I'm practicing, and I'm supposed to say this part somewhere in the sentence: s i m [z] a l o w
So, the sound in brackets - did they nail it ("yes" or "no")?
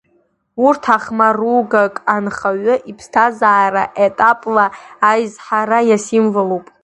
no